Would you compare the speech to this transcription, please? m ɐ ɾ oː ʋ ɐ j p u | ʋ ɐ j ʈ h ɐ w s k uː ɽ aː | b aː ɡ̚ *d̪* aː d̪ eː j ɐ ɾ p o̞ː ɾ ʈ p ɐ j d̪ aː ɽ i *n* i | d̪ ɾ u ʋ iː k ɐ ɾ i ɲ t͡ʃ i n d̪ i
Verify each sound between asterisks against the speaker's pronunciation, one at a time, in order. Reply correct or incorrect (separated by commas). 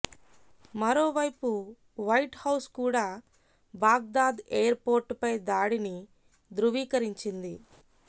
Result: correct, correct